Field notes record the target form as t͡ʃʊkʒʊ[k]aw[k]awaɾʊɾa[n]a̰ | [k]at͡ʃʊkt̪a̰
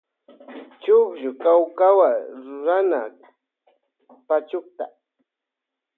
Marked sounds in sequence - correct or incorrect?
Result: correct, correct, correct, incorrect: p

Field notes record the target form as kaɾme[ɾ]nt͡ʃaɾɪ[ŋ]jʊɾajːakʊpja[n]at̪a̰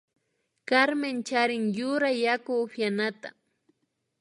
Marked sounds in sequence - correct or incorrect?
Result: incorrect: none, correct, correct

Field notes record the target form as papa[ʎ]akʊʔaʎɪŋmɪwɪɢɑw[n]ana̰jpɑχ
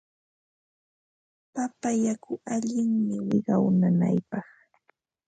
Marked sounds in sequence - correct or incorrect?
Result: incorrect: j, correct

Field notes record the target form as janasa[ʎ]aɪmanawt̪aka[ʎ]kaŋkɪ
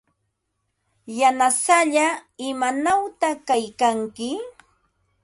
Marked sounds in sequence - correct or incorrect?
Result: correct, incorrect: j

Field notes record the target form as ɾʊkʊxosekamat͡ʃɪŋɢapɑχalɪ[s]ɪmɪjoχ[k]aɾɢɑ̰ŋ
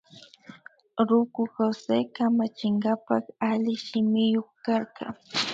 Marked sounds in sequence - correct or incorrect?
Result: incorrect: ʃ, correct

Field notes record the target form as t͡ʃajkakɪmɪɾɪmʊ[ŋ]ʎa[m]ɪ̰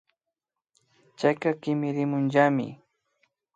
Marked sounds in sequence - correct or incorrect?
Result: incorrect: n, correct

